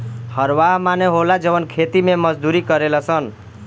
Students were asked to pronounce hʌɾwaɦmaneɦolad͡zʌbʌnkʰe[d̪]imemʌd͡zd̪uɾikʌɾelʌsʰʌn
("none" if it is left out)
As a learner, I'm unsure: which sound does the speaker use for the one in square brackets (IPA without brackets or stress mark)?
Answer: t̪